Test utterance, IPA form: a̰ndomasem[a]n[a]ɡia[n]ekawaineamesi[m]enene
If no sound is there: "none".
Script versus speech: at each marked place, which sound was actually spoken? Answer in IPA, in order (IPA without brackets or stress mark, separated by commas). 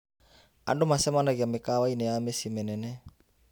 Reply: a, a, m, m